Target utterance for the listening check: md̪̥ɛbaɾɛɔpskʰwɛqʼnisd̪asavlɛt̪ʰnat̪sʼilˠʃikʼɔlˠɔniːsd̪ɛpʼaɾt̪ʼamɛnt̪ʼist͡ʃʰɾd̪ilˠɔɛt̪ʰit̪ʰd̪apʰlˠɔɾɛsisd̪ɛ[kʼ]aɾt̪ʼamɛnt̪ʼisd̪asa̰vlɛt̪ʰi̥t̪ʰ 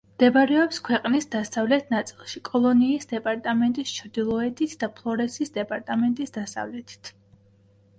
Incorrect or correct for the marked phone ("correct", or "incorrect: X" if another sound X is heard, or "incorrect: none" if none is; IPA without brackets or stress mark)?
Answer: incorrect: pʼ